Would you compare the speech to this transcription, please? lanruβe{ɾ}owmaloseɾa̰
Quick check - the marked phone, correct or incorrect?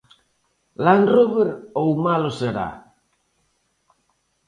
correct